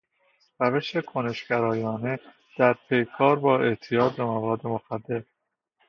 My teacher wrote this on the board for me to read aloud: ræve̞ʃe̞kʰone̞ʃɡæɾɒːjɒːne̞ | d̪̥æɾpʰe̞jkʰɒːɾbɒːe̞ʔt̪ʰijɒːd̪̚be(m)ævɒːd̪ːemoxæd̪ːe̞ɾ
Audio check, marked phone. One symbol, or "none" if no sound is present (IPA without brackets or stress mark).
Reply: m